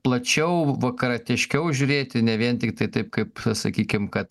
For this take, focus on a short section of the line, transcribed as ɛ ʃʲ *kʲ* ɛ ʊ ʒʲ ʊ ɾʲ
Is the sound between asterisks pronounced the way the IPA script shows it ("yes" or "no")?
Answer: yes